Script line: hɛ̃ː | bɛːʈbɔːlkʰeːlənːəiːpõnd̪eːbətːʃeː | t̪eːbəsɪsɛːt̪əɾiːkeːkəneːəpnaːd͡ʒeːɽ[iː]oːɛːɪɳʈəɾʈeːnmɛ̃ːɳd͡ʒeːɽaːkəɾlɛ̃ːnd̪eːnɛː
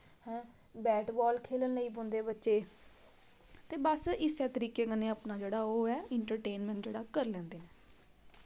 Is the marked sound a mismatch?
yes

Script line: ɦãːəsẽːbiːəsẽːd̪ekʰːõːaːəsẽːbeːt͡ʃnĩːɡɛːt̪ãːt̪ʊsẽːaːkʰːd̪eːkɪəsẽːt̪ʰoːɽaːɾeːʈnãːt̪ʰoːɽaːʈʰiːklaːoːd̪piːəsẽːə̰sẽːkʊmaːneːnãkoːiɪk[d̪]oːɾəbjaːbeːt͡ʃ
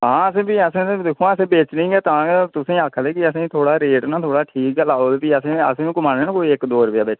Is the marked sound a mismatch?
no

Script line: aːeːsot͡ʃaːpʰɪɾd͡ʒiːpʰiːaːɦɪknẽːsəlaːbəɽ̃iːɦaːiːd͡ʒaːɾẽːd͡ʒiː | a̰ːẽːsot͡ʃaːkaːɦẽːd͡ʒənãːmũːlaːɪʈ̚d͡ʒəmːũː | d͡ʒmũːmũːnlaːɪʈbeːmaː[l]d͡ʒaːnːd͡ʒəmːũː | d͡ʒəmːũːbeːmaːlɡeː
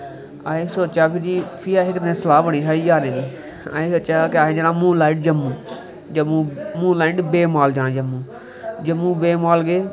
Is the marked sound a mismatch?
no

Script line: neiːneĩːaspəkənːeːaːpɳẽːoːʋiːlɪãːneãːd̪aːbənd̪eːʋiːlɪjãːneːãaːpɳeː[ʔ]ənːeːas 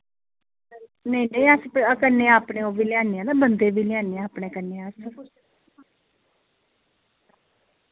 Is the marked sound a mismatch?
yes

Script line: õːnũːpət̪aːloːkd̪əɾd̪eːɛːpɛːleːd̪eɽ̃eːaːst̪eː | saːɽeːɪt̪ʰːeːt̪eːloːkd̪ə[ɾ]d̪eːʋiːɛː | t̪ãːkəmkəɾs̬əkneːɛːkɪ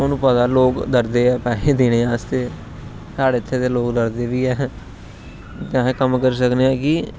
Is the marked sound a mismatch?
no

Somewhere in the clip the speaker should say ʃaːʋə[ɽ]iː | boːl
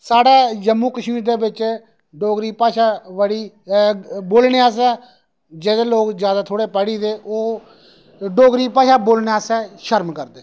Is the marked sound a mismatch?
no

